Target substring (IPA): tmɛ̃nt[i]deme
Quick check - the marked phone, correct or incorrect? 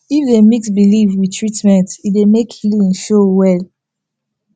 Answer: correct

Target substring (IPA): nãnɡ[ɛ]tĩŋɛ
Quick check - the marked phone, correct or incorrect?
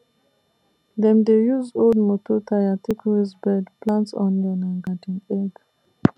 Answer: incorrect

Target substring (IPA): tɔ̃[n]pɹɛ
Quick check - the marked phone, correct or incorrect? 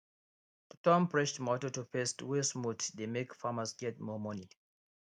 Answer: incorrect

